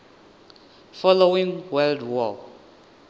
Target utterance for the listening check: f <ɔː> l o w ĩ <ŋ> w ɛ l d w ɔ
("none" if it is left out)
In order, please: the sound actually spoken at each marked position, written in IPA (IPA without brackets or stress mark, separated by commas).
ɔ, ŋ